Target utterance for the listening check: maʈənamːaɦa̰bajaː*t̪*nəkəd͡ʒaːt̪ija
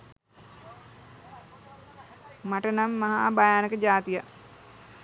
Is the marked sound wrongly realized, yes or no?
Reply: yes